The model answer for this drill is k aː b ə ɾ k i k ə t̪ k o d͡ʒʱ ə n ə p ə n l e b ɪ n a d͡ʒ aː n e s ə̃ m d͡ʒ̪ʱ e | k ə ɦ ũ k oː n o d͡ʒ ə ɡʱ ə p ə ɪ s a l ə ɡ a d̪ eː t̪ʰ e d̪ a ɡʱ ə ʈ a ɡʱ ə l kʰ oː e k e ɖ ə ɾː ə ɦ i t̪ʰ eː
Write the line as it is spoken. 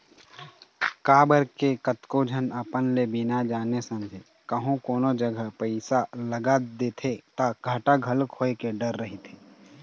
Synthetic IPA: k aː b ə ɾ k e k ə t̪ k o d͡ʒʱ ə n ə p ə n l e b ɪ n a d͡ʒ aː n e s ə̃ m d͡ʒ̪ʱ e | k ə ɦ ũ k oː n o d͡ʒ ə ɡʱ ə p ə ɪ s a l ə ɡ a d̪ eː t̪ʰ e t̪ a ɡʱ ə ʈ a ɡʱ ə l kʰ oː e k e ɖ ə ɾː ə ɦ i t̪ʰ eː